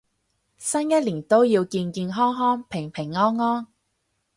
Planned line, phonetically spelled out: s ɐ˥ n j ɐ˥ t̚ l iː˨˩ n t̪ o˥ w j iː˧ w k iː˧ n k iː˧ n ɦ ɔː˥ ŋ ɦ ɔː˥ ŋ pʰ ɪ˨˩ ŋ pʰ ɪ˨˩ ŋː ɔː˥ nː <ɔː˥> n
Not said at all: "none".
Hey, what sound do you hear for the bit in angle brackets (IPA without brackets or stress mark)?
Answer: ɔː˥